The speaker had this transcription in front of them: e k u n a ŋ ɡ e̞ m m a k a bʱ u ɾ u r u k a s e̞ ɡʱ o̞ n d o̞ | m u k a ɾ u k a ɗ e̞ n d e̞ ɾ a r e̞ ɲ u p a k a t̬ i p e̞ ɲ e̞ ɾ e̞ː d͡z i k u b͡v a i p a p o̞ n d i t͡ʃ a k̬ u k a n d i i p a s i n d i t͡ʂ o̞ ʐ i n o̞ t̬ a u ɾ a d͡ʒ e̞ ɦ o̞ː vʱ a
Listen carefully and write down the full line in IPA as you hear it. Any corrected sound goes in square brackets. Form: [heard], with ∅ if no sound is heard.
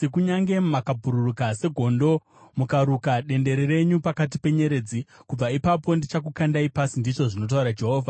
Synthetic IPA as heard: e k u [ɲ] a ŋ ɡ e̞ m m a k a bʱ u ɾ u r u k a s e̞ ɡʱ o̞ n d o̞ | m u k a ɾ u k a ɗ e̞ n d e̞ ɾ [e] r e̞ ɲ u p a k a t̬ i p e̞ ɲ e̞ ɾ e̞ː d͡z i k u b͡v a i p a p o̞ n d i t͡ʃ a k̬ u k a n d [a] i p a s i n d i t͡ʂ o̞ ʐ i n o̞ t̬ a u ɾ a d͡ʒ e̞ ɦ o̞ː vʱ a

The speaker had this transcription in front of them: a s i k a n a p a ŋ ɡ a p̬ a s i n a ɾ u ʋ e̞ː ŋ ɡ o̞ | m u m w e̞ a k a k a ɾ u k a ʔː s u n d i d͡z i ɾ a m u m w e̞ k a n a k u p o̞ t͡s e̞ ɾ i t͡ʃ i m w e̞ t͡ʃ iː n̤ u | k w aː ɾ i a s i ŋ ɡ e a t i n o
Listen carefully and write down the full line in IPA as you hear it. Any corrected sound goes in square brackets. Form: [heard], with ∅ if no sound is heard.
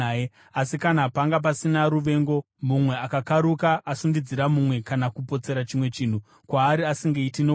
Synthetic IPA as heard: a s i k a n a p a ŋ ɡ a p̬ a s i n a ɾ u ʋ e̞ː ŋ ɡ o̞ | m u m w e̞ a k a k a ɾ u k a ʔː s u n d i d͡z i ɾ a m u m w e̞ k a n a k u p o̞ t͡s e̞ ɾ [a] t͡ʃ i m w e̞ t͡ʃ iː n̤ u | k w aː ɾ i a s i ŋ ɡ e [i] t i n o

